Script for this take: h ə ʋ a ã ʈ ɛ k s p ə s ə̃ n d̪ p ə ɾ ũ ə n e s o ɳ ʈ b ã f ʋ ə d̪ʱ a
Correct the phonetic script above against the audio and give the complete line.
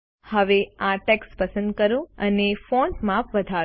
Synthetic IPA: h ə ʋ e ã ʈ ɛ k s p ə s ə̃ n d̪ k ə ɾ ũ ə n e f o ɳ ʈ m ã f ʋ ə d̪ʱ a